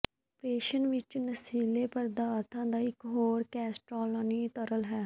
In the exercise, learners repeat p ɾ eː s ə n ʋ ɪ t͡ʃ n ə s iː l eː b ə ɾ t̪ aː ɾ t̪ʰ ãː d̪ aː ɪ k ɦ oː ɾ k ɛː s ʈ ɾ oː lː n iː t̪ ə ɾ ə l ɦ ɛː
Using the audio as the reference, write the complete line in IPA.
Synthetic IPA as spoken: p ɾ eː ʃ ə n ʋ ɪ t͡ʃ n ə s iː l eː p ə ɾ d̪ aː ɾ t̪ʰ ãː d̪ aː ɪ k ɦ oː ɾ k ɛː s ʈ ɾ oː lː n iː t̪ ə ɾ ə l ɦ ɛː